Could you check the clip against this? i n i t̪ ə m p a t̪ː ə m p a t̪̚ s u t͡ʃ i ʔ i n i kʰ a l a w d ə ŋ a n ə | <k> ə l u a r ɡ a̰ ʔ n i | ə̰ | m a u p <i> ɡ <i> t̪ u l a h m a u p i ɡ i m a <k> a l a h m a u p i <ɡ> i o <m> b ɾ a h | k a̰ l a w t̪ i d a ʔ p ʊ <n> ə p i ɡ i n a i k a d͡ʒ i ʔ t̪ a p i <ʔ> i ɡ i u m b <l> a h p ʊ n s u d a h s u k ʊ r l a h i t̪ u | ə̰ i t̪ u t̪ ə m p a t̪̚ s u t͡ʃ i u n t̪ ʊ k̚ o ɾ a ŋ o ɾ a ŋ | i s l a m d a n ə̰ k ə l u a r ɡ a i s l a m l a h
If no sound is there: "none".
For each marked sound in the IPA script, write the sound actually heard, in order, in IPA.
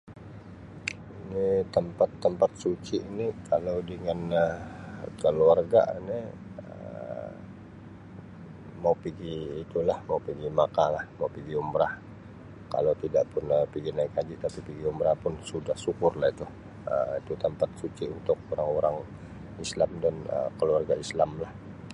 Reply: k, i, iː, k, ɡ, m, n, p, ɾ

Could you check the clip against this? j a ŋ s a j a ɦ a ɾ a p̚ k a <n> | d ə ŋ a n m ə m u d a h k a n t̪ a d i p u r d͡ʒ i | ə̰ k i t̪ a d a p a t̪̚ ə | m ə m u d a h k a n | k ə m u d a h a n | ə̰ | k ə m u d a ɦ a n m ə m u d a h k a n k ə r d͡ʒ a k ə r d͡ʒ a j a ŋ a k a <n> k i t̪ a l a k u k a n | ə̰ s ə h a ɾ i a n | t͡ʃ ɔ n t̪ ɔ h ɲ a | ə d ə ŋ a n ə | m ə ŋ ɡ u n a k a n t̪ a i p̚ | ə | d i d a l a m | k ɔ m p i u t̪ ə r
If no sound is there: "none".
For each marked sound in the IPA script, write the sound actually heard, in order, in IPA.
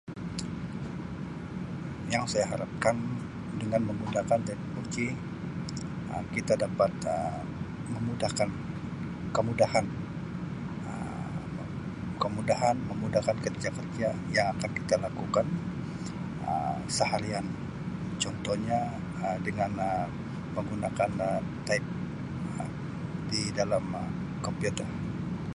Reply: n, n

